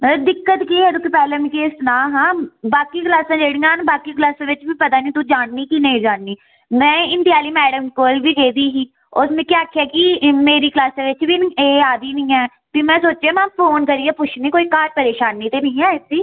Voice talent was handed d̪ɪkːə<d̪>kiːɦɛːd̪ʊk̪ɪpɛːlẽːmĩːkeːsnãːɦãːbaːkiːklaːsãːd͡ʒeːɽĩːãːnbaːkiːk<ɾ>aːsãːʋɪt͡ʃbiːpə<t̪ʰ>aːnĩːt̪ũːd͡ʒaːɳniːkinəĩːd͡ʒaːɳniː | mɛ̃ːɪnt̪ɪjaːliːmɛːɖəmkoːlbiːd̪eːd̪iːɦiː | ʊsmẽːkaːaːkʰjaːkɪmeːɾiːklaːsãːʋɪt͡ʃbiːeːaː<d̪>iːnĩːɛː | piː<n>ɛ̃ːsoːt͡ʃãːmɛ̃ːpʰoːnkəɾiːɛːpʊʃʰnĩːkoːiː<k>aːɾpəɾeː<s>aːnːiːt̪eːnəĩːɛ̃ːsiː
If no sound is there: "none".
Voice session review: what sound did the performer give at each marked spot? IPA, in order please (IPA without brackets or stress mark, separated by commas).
t̪, l, t̪, d̪, m, k, ʃ